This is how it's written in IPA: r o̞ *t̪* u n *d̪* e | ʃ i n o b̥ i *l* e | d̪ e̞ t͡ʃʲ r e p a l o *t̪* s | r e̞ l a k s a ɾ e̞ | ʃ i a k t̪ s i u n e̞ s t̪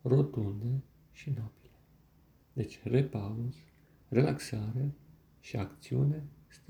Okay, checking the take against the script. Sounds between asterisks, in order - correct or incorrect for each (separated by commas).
correct, correct, correct, incorrect